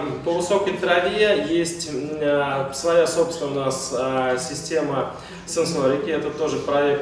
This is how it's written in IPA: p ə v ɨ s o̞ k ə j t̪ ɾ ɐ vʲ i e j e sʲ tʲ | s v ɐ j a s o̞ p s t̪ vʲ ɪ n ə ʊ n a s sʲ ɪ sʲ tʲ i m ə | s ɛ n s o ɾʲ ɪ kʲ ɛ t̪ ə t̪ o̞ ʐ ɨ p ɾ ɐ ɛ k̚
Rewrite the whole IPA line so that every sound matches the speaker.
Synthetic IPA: p ə v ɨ s o̞ k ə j t̪ ɾ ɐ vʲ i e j e sʲ tʲ | s v ɐ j a s o̞ p s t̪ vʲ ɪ n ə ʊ n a s sʲ ɪ sʲ tʲ e m ə | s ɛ n s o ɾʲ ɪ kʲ ɛ t̪ ə t̪ o̞ ʐ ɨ p ɾ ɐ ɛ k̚